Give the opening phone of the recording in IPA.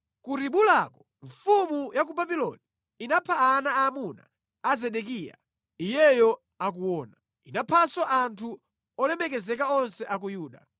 k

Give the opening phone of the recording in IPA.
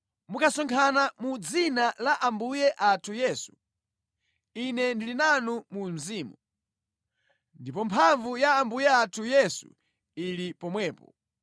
m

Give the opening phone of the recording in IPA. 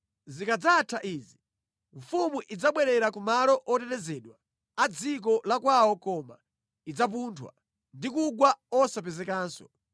z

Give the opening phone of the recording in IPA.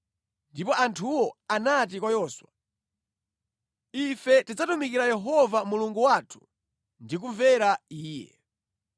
n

